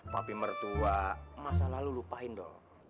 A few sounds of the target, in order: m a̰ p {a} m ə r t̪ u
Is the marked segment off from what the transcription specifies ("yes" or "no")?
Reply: yes